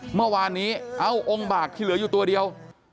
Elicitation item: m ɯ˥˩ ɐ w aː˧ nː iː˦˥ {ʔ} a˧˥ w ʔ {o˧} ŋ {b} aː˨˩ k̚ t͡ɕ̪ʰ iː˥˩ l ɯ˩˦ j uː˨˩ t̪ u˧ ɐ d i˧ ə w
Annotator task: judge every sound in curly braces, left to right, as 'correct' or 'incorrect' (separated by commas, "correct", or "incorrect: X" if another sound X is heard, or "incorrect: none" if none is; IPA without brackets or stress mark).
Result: correct, correct, correct